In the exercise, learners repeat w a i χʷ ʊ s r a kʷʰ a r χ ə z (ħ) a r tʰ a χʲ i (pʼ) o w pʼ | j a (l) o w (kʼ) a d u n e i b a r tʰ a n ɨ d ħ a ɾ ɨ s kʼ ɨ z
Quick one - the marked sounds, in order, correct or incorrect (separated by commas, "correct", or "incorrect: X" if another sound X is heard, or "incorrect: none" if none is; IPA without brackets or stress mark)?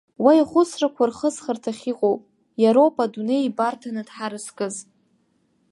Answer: incorrect: χ, incorrect: qʼ, incorrect: ɾ, incorrect: pʼ